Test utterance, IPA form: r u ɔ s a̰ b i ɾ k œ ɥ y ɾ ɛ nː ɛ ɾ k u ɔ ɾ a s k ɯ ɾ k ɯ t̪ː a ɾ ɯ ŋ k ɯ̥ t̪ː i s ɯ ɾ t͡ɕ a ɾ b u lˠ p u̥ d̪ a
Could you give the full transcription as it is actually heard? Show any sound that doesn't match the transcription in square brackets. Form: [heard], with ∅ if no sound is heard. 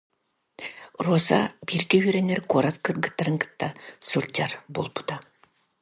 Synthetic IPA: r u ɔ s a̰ b i ɾ k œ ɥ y ɾ ɛ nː ɛ ɾ k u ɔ ɾ a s k ɯ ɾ [ɡ] ɯ t̪ː a ɾ ɯ ŋ k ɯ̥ t̪ː [a] s ɯ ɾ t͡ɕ a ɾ b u lˠ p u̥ [t̪] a